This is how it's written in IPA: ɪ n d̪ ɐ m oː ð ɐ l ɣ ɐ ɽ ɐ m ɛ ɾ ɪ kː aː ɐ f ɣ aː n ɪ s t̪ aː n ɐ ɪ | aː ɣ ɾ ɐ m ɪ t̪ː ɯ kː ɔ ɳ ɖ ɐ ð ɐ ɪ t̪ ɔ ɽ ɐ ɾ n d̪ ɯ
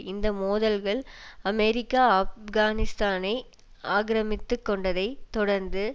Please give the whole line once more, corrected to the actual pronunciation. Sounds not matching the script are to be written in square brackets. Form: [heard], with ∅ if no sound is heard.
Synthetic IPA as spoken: ɪ n d̪ ɐ m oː ð ɐ l ɣ ɐ [ɭ] ɐ m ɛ ɾ ɪ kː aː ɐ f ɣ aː n ɪ s t̪ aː n ɐ ɪ | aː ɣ ɾ ɐ m ɪ t̪ː ɯ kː ɔ ɳ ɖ ɐ ð ɐ ɪ t̪ ɔ ɽ ɐ ɾ n d̪ ɯ